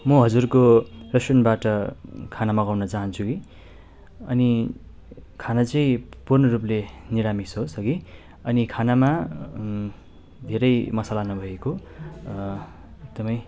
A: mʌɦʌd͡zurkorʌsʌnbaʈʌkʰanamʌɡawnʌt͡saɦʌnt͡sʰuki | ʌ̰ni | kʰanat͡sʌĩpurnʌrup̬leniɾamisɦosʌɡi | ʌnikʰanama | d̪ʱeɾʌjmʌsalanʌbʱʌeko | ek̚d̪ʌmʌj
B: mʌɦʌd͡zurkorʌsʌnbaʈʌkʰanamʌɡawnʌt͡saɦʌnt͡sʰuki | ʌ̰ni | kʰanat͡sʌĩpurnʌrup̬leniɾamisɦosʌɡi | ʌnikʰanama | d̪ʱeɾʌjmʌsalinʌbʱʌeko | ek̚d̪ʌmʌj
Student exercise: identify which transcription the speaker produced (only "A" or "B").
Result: A